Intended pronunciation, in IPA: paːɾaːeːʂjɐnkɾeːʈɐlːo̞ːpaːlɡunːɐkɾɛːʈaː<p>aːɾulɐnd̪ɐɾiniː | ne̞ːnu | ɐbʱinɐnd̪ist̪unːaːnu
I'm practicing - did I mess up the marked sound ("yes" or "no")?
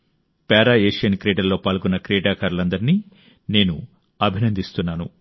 yes